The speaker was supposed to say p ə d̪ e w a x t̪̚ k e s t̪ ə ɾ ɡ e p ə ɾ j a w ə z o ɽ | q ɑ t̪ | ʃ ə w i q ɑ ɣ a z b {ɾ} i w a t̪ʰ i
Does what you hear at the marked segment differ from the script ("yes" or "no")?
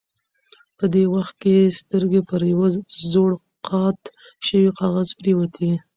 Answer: no